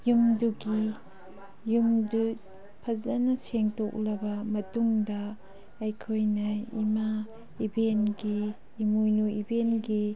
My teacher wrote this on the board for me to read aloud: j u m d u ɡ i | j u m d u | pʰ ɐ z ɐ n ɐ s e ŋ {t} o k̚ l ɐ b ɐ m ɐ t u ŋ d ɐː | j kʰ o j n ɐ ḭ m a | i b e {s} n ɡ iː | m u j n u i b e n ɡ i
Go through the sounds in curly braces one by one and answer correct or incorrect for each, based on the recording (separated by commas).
correct, incorrect